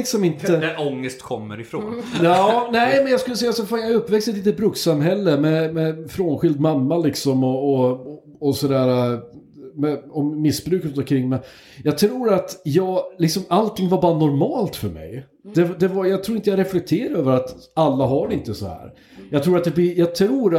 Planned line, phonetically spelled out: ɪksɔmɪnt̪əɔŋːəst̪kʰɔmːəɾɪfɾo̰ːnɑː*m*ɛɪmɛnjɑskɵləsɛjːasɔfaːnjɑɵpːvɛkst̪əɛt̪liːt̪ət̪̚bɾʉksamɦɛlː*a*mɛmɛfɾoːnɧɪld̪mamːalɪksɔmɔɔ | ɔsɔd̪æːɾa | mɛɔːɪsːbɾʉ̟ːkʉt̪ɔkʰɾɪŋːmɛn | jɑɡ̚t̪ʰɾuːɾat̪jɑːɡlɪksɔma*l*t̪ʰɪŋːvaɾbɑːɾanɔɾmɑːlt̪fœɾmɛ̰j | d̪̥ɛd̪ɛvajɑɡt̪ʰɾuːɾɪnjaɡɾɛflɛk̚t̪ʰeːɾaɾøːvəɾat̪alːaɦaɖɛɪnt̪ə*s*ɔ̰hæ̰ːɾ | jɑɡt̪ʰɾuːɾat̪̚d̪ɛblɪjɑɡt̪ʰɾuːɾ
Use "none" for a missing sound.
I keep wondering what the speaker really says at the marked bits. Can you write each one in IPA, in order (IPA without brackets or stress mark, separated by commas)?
n, ə, l, s